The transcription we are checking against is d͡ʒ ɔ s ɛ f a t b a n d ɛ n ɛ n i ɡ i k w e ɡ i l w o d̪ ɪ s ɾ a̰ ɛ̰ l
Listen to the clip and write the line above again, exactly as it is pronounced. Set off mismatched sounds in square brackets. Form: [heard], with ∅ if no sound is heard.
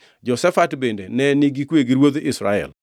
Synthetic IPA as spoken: d͡ʒ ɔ s ɛ f a t b [e] n d [e] n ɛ n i ɡ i k w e ɡ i [ɾ] w o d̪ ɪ s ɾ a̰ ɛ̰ l

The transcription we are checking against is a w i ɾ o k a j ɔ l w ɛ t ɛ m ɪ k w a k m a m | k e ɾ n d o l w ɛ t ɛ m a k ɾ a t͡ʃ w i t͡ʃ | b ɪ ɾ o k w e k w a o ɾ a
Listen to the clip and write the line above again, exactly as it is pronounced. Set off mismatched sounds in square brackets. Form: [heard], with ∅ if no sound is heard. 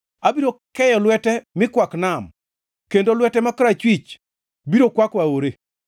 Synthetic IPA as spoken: a [b] i ɾ o k [ɛ] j ɔ l w ɛ t ɛ m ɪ k w a k [n] a m | k e [∅] n d o l w ɛ t ɛ m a k ɾ a t͡ʃ w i t͡ʃ | b [i] ɾ o k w [a] k w a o ɾ [e]

